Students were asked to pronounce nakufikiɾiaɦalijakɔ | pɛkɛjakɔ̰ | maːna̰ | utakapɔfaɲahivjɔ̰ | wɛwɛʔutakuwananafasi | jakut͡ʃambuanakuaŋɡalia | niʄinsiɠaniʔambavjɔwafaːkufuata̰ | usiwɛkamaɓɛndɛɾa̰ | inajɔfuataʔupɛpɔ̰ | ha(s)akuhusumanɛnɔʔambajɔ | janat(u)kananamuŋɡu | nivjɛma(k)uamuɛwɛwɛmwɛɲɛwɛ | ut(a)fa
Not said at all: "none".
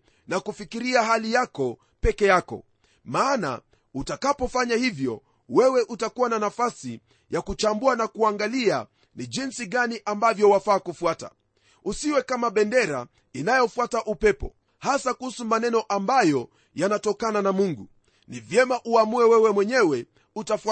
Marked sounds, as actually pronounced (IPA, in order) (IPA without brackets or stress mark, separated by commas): s, ɔ, ʔ, a